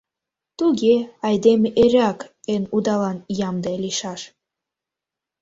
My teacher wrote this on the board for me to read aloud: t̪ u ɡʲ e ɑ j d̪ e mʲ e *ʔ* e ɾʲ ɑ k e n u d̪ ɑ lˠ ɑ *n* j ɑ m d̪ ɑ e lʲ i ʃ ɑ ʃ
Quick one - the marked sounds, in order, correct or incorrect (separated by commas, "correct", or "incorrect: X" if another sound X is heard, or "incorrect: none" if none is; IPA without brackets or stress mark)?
correct, correct